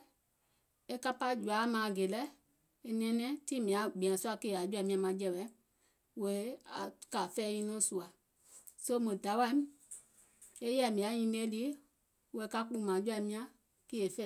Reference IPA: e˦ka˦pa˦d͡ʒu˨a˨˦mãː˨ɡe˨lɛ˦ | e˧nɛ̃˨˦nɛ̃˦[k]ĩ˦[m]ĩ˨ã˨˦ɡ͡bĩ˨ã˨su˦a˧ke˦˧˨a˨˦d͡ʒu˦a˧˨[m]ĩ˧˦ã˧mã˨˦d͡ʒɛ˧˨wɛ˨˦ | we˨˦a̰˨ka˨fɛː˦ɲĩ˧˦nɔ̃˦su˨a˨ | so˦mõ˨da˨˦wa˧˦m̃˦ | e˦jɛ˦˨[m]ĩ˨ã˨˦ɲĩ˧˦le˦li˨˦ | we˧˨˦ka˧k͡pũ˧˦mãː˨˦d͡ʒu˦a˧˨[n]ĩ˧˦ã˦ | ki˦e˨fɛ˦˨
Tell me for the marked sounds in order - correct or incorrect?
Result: incorrect: t, correct, correct, correct, incorrect: m

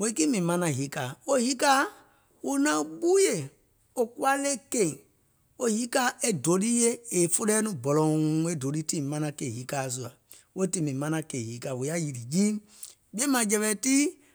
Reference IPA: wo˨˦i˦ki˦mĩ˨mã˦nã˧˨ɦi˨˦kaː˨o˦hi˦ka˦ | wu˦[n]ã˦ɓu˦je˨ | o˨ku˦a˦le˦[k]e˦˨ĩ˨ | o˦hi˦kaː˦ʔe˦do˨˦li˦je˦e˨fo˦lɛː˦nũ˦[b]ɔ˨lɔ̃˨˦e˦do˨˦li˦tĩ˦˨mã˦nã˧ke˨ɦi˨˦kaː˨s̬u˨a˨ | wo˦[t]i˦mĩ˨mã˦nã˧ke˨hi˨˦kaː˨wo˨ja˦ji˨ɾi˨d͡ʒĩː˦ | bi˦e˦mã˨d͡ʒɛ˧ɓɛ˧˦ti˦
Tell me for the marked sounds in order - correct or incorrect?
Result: correct, correct, correct, correct

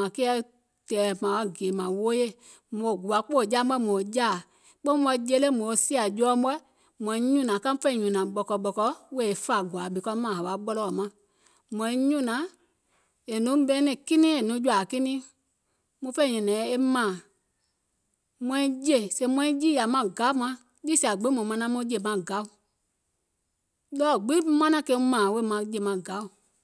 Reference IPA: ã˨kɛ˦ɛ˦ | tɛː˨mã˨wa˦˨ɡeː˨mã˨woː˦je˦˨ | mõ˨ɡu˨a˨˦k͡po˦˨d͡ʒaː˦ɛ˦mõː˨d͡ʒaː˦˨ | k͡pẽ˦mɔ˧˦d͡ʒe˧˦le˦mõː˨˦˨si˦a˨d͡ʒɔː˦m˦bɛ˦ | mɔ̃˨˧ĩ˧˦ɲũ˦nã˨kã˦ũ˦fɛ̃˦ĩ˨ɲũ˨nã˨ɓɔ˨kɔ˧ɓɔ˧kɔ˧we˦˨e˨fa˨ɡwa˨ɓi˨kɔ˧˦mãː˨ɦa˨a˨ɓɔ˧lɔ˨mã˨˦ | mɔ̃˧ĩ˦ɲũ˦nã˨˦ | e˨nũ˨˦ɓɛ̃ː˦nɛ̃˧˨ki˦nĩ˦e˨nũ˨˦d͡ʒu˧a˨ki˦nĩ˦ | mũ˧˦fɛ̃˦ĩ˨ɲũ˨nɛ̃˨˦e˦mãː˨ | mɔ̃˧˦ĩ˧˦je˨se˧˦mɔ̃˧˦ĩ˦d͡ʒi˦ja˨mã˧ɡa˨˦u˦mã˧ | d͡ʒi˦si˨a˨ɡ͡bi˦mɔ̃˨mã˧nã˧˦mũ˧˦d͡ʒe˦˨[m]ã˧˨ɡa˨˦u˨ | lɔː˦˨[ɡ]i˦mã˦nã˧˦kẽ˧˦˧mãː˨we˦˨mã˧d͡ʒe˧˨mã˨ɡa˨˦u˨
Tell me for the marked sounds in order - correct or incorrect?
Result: correct, incorrect: ɡ͡b

